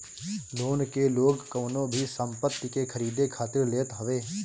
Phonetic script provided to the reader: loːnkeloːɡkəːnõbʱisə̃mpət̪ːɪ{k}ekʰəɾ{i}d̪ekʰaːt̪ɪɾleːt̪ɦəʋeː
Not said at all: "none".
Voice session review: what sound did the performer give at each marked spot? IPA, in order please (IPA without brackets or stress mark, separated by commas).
k, iː